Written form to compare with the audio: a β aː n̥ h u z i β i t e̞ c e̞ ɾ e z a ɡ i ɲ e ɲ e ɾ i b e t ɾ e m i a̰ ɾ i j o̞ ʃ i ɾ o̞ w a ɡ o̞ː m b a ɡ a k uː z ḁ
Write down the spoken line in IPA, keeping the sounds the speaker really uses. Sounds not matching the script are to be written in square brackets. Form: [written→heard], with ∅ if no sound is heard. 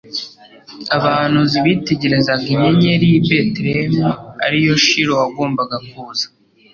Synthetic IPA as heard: a β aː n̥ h u z i β i t e̞ [c→ɟ] e̞ ɾ e z a ɡ i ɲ e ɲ e ɾ i b e t ɾ e m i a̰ ɾ i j o̞ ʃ i ɾ o̞ w a ɡ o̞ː m b a ɡ a k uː z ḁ